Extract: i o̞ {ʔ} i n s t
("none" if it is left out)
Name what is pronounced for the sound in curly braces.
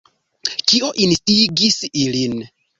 ʔ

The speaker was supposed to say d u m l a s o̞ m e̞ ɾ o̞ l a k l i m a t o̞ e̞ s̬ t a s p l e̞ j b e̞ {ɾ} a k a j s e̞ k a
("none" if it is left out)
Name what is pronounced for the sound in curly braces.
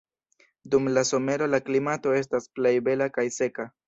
l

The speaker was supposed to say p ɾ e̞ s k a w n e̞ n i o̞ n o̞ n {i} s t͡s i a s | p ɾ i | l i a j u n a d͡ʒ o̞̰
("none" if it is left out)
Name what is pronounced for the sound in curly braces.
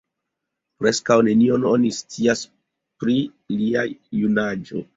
i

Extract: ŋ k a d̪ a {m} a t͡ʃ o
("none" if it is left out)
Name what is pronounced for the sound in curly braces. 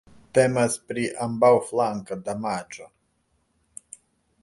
m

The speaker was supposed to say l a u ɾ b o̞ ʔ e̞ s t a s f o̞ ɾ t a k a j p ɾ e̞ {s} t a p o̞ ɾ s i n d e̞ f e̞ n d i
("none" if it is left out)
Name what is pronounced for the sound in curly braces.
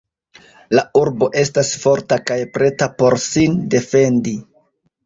none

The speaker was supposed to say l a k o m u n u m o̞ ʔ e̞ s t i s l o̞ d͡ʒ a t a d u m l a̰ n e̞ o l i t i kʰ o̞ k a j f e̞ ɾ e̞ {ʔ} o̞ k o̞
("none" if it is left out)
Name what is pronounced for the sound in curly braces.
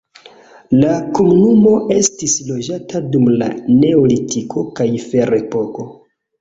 p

